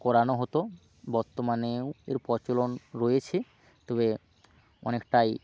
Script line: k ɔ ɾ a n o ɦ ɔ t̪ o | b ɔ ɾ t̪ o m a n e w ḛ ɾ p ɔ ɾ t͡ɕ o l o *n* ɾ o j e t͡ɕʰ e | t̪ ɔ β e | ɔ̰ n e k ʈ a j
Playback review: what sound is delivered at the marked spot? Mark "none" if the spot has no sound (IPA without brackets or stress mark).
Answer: n